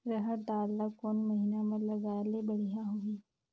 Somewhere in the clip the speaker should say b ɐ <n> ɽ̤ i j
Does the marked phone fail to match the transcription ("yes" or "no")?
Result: yes